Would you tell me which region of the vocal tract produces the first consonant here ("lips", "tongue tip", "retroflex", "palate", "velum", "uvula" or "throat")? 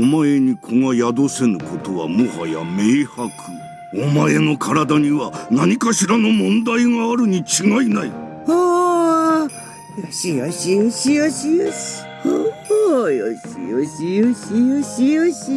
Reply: lips